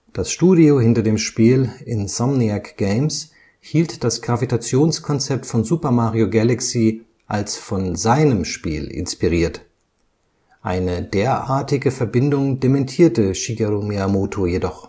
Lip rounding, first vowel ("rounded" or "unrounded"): unrounded